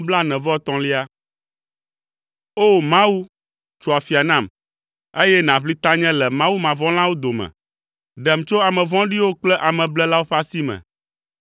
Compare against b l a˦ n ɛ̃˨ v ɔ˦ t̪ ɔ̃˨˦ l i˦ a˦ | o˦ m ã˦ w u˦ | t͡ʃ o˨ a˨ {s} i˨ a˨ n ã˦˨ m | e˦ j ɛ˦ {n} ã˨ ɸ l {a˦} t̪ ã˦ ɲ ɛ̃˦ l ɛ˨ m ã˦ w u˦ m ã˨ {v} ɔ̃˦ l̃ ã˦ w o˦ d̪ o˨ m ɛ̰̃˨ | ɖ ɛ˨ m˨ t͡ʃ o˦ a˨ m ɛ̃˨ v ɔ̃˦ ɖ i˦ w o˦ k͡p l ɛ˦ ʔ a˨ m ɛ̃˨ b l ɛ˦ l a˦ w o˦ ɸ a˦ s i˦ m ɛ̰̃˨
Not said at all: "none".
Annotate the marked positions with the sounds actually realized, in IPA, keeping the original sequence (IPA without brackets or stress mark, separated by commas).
f, n, i˦, v